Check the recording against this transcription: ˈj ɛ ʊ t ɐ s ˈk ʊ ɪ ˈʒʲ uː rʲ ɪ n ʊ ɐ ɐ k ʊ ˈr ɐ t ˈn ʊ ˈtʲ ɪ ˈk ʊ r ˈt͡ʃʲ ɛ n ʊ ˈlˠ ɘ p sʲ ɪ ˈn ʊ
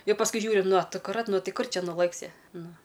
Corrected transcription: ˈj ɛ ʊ p ɐ s ˈk ʊ ɪ ˈʒʲ uː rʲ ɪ n ʊ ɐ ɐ k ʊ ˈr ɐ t ˈn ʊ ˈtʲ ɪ ˈk ʊ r ˈt͡ʃʲ ɛ n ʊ ˈlˠ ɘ k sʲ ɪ ˈn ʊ